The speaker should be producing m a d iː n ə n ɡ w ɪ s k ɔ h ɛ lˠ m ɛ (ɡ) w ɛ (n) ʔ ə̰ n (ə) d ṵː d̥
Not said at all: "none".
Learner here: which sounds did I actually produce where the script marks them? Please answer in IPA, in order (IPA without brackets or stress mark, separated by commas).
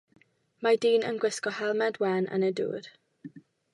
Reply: d, n, ə